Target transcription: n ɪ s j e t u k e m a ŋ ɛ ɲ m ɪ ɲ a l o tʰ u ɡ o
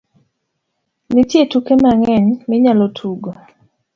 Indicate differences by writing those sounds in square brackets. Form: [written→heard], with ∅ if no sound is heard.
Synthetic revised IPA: n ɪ [s→t] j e t u k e m a ŋ ɛ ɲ m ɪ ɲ a l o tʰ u ɡ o